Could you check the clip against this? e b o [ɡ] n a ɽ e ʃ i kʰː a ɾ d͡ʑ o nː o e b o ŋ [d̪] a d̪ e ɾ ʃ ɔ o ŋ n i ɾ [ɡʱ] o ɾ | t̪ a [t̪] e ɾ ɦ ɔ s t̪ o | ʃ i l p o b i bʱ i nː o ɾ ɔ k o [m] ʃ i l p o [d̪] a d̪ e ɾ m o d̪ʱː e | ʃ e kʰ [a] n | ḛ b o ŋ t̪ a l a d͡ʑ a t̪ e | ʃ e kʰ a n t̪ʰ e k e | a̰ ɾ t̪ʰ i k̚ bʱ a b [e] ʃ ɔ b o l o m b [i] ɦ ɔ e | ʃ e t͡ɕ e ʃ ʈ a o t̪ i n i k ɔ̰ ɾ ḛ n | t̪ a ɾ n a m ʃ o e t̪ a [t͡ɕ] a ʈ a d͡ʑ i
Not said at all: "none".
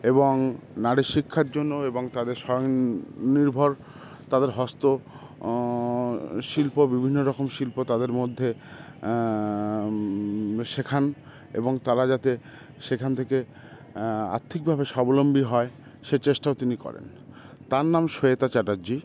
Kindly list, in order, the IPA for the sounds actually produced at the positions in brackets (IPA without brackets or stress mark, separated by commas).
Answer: ŋ, t̪, bʱ, d̪, m, t̪, a, e, i, t͡ɕ